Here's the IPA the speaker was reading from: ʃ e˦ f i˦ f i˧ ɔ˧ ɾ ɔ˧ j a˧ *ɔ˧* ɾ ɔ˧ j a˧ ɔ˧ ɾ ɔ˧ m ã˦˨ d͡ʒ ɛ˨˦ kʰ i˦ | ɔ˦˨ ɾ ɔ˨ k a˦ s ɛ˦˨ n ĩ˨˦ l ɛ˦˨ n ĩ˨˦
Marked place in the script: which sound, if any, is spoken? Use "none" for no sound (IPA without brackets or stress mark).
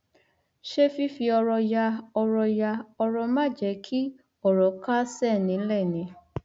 ɔ˧